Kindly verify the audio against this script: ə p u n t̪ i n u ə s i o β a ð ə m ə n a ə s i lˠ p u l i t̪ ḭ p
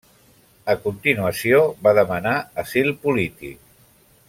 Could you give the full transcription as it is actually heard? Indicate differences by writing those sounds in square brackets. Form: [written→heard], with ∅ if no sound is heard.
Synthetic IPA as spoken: ə [p→k] u n t̪ i n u ə s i o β a ð ə m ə n a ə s i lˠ p u l i t̪ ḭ [p→k]

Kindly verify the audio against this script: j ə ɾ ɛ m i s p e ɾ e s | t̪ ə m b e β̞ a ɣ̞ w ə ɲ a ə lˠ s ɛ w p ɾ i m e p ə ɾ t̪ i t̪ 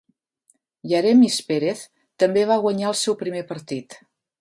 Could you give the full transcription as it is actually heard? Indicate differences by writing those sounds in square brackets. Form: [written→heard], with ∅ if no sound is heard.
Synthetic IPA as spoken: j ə ɾ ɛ m i s p e ɾ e [s→θ] | t̪ ə m b e β̞ a ɣ̞ w ə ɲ a ə lˠ s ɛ w p ɾ i m e p ə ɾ t̪ i t̪

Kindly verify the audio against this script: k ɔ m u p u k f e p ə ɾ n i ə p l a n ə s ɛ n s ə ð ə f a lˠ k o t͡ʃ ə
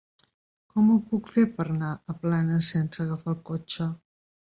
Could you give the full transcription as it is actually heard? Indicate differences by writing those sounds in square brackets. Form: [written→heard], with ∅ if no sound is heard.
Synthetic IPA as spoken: k ɔ m u p u k f e p ə ɾ n [i→a] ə p l a n ə s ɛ n s ə [ð→ɣ] ə f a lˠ k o t͡ʃ ə

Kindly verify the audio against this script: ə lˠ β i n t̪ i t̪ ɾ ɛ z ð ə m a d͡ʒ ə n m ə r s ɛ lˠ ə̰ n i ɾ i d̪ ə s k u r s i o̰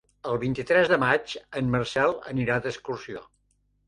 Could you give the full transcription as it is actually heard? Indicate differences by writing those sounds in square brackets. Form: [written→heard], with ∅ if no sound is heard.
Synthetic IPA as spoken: ə lˠ β i n t̪ i t̪ ɾ ɛ z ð ə m a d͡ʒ ə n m ə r s ɛ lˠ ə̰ n i ɾ [i→a] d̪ ə s k u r s i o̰

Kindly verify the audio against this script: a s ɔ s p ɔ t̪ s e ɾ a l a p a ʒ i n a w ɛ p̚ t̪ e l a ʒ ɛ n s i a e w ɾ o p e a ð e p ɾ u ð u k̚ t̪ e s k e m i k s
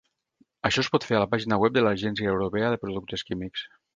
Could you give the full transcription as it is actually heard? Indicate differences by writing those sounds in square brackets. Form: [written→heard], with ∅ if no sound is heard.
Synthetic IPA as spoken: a [s→ʃ] ɔ s p ɔ t̪ [s→f] e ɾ a l a p a ʒ i n a w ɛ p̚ [t̪→d̪] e l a ʒ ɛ n s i a e w ɾ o p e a ð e p ɾ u ð u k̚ t̪ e s k [e→i] m i k s

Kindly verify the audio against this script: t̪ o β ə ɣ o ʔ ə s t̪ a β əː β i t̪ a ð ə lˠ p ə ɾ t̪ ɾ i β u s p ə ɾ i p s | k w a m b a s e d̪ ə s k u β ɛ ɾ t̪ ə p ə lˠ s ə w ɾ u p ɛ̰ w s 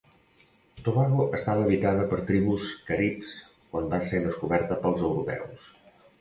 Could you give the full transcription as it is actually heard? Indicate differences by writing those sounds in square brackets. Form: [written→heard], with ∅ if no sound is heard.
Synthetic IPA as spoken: t̪ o β [ə→a] ɣ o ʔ ə s t̪ a β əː β i t̪ a ð ə [lˠ→∅] p ə ɾ t̪ ɾ i β u s [p→k] ə ɾ i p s | k w a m b a s e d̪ ə s k u β ɛ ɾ t̪ ə p ə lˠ [s→z] ə w ɾ u p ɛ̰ w s

